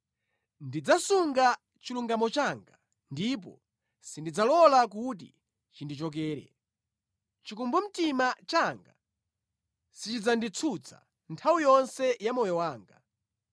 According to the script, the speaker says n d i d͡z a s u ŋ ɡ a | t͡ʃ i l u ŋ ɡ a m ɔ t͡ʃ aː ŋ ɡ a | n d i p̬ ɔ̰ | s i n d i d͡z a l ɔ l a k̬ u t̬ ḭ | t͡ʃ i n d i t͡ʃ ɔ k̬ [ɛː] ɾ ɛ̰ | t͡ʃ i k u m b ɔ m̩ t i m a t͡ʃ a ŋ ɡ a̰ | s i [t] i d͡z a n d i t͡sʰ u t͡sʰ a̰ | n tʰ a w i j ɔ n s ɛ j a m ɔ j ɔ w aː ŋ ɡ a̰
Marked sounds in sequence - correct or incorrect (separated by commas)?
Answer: correct, incorrect